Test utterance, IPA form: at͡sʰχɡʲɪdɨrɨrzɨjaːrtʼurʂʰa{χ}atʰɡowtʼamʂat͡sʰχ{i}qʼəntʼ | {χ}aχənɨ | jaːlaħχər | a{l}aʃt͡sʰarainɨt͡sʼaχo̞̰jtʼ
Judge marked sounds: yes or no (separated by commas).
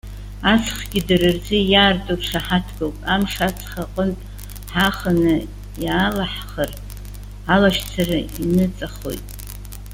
no, no, no, yes